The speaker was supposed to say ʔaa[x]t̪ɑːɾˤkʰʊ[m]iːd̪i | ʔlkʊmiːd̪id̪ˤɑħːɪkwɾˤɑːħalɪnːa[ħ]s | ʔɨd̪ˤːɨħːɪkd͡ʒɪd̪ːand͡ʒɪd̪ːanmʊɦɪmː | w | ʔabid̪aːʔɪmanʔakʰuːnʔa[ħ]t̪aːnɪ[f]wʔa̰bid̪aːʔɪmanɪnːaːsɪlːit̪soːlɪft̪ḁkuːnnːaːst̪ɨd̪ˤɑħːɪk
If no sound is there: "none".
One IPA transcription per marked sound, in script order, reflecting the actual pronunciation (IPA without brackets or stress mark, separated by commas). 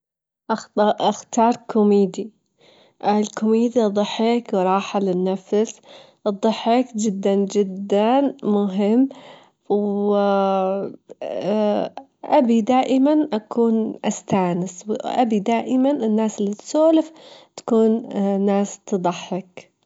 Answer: x, m, f, s, s